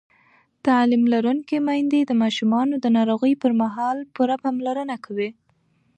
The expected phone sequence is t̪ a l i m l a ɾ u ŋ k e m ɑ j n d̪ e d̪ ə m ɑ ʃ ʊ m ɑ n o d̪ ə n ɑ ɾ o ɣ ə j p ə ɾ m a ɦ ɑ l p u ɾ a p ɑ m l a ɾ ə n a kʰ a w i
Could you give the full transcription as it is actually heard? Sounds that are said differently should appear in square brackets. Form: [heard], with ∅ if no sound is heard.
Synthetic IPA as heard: t̪ a l i m l a ɾ u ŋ k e m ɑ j n d̪ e d̪ ə m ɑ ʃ [u] m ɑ n o d̪ ə n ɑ ɾ o ɣ ə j p ə ɾ m a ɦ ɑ l p u ɾ a p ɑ m l a ɾ ə n a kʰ a w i